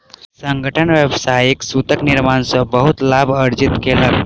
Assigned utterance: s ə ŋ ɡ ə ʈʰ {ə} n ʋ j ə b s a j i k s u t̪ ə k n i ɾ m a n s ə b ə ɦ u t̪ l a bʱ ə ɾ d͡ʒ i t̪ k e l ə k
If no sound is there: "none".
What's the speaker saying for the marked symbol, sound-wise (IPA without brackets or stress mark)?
ə